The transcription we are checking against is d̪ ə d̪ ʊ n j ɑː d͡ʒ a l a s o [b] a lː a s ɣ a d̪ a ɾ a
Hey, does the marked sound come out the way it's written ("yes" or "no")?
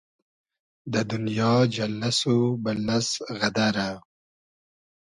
yes